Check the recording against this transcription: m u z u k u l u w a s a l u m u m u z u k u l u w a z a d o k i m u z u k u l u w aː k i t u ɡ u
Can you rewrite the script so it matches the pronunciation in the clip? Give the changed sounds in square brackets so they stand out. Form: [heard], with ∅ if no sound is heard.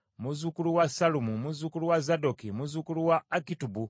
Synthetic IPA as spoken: m u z u k u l u w a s a l u m u m u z u k u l u w a z a d o k i m u z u k u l u w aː k i t u [b] u